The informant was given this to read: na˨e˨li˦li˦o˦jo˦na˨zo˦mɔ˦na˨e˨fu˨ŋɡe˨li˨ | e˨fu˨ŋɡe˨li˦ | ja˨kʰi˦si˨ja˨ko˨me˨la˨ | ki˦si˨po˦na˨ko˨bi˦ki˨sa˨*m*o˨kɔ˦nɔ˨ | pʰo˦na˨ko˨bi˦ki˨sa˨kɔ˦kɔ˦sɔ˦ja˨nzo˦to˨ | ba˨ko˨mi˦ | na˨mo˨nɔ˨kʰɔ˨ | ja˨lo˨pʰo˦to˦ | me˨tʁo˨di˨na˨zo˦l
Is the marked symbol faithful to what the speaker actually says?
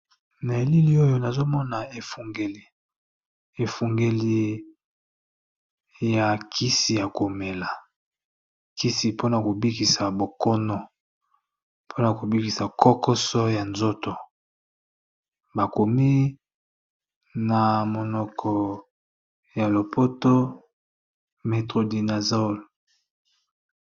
no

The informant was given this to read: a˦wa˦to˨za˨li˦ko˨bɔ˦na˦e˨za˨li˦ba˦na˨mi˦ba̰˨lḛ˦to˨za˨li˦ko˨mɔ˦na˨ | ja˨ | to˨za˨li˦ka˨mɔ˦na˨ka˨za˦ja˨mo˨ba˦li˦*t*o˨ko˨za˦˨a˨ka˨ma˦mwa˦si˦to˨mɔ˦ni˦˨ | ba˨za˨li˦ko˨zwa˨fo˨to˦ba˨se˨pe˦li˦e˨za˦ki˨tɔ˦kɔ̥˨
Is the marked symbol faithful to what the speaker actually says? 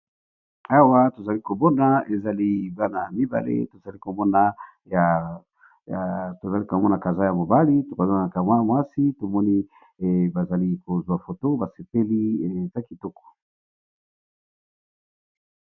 yes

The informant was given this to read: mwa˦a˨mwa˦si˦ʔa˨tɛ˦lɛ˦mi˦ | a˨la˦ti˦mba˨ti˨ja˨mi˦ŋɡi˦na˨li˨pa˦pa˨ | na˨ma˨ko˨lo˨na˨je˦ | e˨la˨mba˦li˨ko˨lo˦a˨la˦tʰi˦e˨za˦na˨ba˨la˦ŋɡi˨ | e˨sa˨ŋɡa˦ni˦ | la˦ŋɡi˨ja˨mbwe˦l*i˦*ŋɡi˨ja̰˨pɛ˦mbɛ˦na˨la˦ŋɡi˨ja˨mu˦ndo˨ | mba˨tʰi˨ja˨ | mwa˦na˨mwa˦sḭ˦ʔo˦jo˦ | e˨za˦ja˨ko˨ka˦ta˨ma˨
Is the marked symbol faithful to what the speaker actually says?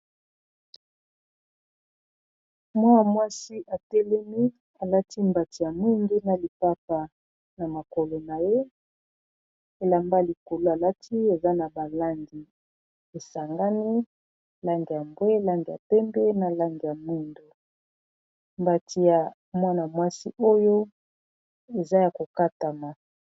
no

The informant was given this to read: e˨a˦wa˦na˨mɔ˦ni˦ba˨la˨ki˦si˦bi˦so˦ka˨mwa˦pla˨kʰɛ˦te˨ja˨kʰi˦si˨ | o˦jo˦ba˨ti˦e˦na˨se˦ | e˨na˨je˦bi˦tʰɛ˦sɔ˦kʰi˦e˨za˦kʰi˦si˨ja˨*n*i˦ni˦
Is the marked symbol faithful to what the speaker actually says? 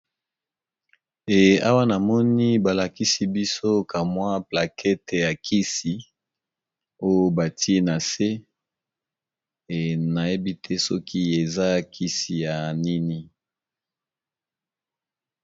yes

